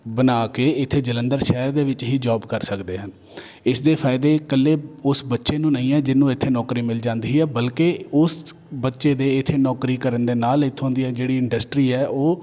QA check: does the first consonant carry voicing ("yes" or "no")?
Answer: yes